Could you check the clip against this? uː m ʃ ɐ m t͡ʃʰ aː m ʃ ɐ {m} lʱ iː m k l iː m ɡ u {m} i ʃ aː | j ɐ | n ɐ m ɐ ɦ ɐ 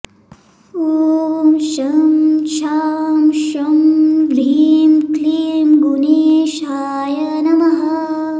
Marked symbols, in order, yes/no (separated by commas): yes, no